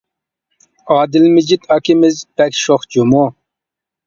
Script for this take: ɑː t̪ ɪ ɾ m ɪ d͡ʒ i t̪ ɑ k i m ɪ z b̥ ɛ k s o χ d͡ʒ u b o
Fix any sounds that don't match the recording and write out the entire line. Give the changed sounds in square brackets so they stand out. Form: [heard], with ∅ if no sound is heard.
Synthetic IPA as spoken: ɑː [d̪] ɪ [l] m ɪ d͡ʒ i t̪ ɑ k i m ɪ z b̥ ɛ k [ʃ] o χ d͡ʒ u [m] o